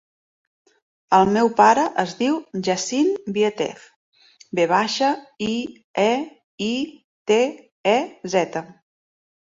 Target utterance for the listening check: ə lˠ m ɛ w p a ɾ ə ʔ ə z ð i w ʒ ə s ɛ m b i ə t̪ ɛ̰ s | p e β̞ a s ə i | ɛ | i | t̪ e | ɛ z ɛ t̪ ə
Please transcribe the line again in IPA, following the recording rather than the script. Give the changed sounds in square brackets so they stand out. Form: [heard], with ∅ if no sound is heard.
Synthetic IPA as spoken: ə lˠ m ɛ w p a ɾ ə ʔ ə z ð i w ʒ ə s [i] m b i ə t̪ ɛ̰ [f] | [b] e β̞ a [ʃ] ə i | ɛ | i | t̪ e | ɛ z ɛ t̪ ə